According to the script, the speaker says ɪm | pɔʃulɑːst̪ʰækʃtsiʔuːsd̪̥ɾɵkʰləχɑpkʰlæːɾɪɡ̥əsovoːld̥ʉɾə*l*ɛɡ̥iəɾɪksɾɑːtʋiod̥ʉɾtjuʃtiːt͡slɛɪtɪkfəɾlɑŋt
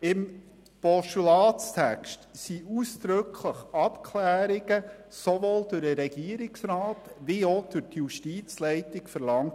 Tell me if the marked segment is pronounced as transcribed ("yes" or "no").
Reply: no